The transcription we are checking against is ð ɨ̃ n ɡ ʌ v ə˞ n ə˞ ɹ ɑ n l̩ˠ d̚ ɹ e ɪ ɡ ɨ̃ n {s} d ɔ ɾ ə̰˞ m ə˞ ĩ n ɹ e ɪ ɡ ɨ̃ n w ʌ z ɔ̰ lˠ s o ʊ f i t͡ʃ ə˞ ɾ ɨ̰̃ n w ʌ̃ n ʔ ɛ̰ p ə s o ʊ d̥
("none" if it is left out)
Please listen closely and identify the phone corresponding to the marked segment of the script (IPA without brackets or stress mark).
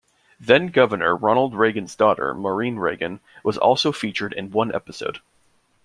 z